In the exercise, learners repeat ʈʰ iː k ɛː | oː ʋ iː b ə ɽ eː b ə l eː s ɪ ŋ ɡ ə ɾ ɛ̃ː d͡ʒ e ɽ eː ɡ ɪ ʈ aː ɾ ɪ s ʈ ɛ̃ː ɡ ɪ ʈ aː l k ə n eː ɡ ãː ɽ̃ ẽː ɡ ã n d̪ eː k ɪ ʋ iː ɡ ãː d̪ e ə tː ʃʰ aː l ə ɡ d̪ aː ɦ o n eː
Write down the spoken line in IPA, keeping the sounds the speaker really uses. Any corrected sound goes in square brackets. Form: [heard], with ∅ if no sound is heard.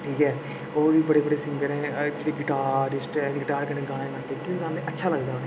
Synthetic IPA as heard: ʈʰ iː k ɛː | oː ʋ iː b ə ɽ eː b ə [ɽ] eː s ɪ ŋ ɡ ə ɾ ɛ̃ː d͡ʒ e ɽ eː ɡ ɪ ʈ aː ɾ ɪ s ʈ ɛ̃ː ɡ ɪ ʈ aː [ɾ] k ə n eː ɡ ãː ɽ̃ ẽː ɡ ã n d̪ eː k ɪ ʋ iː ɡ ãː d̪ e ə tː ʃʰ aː l ə ɡ d̪ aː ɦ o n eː